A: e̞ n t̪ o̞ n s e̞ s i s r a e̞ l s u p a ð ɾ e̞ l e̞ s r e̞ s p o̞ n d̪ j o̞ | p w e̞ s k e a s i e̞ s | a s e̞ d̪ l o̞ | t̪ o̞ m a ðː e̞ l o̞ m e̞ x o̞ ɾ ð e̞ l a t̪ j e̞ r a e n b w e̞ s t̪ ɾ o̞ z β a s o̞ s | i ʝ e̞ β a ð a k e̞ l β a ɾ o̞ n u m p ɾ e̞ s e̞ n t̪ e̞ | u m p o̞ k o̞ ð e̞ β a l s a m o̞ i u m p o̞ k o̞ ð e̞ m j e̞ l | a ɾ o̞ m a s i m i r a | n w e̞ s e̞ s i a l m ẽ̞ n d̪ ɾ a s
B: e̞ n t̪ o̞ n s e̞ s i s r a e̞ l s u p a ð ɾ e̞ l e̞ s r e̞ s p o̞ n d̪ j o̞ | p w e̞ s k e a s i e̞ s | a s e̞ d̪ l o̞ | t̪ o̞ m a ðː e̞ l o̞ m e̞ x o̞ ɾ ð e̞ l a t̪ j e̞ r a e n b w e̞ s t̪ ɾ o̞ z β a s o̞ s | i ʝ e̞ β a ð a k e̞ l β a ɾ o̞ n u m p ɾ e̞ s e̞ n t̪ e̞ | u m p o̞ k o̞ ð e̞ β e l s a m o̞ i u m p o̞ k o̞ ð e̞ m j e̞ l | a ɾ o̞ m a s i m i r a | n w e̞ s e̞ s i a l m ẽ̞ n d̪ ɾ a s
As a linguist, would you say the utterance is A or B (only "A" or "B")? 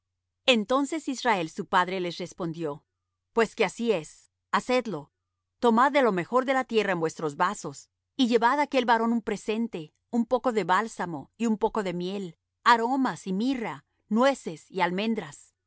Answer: A